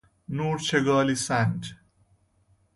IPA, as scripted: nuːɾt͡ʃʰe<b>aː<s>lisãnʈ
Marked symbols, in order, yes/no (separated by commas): no, no